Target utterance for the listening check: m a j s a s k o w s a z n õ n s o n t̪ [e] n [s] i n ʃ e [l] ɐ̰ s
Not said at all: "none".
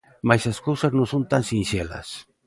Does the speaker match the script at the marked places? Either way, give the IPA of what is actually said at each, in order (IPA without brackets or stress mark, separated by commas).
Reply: a, s, l